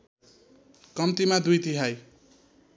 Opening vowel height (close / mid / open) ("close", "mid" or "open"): mid